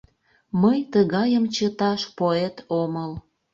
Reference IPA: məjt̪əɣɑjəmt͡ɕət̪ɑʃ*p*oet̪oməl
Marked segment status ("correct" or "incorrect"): correct